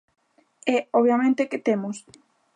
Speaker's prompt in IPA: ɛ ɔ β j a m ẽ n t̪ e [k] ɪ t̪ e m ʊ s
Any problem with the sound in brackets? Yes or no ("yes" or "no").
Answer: no